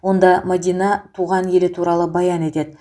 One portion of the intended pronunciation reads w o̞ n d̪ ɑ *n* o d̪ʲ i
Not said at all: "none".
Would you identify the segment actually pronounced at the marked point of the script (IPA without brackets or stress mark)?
m